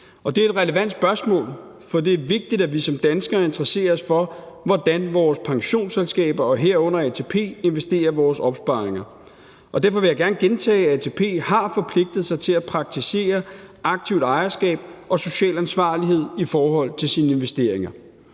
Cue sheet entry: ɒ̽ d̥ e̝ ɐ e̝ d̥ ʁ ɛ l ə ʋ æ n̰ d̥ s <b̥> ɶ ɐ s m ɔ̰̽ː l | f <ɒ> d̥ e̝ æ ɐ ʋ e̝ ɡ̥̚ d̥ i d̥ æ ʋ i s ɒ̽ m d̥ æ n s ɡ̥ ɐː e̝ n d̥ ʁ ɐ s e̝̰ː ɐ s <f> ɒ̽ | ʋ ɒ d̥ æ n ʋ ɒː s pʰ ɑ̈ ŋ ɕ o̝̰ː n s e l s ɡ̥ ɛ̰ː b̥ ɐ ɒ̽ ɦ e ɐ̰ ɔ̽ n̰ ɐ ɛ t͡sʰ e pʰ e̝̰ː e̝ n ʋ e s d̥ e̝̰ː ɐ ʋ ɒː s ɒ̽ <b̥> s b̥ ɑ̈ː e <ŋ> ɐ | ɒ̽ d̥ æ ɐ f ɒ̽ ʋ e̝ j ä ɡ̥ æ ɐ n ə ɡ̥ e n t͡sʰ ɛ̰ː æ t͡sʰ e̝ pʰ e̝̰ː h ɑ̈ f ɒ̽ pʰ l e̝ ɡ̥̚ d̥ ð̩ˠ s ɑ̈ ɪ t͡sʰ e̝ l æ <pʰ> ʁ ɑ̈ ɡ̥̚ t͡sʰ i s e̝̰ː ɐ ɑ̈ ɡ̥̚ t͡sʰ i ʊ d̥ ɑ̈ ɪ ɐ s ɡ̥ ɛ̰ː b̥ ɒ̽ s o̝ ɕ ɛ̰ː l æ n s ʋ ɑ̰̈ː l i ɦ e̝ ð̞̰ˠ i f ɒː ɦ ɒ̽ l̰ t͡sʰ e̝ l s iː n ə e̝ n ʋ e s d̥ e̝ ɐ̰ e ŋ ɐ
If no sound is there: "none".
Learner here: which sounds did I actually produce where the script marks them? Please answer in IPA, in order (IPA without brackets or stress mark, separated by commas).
b̥, ɒ, f, b̥, ŋ, pʰ